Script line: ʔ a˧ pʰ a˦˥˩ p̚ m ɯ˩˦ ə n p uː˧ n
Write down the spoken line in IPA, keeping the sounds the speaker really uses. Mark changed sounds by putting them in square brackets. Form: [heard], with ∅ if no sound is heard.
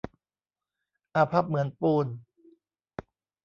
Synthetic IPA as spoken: ʔ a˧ pʰ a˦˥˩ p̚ m ɯ˩˦ ə n p uː˧ n